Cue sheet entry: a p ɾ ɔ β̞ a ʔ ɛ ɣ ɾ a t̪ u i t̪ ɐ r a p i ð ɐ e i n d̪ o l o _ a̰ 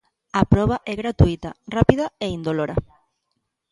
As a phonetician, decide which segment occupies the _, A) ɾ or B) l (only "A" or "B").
A